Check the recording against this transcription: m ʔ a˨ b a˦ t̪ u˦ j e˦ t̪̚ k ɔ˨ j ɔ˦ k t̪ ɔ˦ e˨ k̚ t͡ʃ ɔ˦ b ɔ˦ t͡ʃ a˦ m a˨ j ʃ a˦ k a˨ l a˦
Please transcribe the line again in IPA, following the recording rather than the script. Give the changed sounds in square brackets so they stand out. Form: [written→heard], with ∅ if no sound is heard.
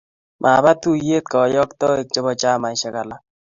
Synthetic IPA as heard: m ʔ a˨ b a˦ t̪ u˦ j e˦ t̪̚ k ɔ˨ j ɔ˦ k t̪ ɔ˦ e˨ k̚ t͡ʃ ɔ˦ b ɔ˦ t͡ʃ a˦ m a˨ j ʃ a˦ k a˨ l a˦